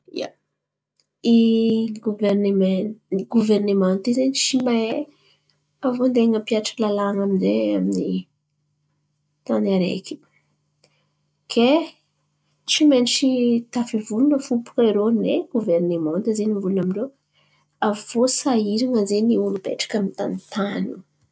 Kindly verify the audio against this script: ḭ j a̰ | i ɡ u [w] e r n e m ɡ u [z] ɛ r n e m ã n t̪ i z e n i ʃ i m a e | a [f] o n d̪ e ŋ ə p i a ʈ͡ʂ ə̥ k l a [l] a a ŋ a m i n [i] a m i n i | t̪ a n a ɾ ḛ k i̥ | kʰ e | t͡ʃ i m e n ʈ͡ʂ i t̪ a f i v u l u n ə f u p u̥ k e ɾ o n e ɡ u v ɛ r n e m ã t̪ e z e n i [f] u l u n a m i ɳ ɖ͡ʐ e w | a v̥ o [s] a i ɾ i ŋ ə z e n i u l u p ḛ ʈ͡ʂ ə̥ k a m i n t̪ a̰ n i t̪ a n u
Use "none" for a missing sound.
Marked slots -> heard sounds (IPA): v, v, v, l, e, v, s

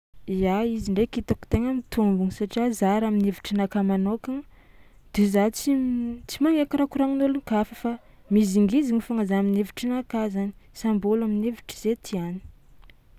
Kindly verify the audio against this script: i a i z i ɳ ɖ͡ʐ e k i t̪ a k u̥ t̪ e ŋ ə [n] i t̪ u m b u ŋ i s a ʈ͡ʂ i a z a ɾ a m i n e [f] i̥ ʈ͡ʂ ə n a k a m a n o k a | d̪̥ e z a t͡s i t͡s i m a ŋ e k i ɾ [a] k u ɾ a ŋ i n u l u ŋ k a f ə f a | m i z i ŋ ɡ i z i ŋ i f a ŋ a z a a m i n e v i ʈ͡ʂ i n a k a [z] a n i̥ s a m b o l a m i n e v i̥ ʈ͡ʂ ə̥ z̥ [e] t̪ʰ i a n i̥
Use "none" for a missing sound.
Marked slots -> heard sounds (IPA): m, v, a, z, e

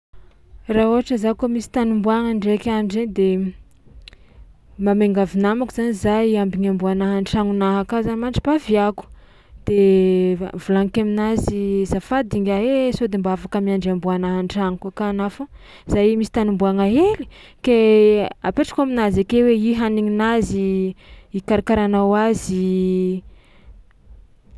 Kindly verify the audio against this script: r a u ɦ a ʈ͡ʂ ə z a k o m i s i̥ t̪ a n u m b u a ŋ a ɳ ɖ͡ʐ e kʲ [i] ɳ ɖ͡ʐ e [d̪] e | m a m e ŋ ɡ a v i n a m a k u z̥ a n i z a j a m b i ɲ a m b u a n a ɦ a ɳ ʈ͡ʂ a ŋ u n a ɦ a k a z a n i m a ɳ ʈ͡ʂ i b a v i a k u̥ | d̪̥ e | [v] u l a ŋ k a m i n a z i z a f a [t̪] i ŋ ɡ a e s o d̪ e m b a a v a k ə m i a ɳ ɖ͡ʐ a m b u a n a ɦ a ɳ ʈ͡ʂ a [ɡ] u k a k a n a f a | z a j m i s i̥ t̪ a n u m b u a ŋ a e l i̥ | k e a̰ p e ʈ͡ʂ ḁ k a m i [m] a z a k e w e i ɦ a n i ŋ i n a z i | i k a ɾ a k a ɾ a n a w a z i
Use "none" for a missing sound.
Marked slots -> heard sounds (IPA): a, d̪, v, d̪, ŋ, n

